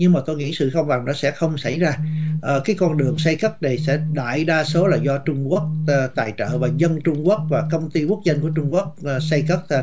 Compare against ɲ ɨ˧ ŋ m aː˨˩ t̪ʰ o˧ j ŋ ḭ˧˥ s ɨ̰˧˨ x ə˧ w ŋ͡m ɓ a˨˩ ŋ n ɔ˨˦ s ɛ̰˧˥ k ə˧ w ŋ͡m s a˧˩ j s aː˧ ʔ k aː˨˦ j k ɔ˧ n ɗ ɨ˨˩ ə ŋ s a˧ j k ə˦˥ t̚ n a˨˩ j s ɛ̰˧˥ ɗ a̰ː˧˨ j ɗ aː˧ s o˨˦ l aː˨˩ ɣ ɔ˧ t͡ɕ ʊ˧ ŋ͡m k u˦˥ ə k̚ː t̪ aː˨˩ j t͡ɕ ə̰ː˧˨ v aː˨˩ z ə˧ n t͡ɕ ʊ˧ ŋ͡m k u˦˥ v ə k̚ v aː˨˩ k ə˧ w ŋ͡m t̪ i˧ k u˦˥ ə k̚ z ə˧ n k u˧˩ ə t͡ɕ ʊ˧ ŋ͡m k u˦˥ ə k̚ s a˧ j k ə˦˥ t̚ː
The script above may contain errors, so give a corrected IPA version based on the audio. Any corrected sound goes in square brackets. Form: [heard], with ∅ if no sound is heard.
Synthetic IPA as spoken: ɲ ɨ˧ ŋ m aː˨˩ [t̪] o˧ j ŋ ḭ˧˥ s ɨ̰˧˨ x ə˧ w ŋ͡m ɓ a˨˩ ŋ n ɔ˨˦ s ɛ̰˧˥ [x] ə˧ w ŋ͡m s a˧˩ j [z] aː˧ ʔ k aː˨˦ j k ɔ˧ n ɗ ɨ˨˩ ə ŋ s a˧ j k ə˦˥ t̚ n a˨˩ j s ɛ̰˧˥ ɗ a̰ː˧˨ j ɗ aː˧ s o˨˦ l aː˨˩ [z] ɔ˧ t͡ɕ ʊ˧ ŋ͡m k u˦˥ ə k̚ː t̪ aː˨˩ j t͡ɕ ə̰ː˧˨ v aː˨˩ z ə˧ n t͡ɕ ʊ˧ ŋ͡m k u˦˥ [∅] ə k̚ v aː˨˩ k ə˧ w ŋ͡m t̪ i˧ k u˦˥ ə k̚ z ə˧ n k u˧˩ ə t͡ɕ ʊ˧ ŋ͡m k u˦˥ ə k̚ s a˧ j k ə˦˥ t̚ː